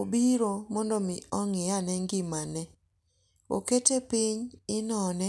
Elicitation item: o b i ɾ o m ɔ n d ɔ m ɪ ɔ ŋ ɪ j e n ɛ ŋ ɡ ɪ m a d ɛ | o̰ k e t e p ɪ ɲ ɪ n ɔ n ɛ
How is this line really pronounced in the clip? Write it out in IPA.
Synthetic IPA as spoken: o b i ɾ o m ɔ n d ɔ m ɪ ɔ ŋ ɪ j a n ɛ ŋ ɡ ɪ m a n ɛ | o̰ k e t e p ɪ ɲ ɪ n ɔ n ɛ